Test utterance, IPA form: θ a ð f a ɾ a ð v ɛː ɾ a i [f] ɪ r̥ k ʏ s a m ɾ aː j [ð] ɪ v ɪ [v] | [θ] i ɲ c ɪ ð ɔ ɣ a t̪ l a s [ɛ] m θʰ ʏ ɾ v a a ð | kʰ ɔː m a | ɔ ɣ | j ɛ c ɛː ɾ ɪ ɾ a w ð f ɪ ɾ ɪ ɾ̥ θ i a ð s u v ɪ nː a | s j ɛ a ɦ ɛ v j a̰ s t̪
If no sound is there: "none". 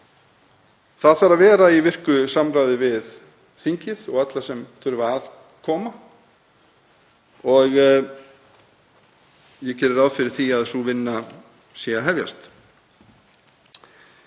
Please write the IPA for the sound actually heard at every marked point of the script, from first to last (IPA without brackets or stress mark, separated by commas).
v, ð, ð, θ, ɛ